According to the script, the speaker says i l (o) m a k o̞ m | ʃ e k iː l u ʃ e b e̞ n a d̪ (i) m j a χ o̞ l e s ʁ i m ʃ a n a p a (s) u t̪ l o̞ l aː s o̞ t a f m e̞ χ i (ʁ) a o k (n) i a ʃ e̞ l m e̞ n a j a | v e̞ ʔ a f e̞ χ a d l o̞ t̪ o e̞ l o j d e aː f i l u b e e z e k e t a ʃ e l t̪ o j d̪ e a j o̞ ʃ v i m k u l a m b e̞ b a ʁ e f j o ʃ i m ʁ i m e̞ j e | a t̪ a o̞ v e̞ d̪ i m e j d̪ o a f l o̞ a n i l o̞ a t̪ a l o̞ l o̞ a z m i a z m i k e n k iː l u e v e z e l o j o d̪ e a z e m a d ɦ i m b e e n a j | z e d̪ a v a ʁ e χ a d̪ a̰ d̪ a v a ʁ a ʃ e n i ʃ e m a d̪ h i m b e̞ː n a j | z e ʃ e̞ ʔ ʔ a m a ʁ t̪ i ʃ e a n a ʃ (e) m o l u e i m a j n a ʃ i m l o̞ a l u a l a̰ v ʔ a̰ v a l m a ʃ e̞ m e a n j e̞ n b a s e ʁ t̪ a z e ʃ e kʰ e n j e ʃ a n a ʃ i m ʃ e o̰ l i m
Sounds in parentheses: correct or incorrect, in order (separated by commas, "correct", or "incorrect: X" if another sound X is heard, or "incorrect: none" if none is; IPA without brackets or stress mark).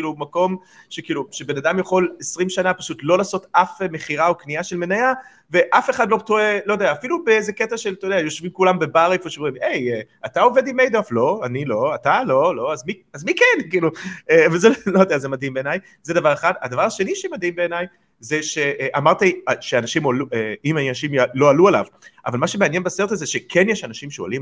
incorrect: u, incorrect: a, incorrect: ʃ, correct, correct, incorrect: i